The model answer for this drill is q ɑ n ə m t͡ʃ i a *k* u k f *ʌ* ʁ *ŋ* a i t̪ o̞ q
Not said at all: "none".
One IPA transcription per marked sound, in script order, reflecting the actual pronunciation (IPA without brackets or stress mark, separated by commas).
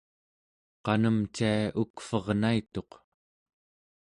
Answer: none, ʌ, n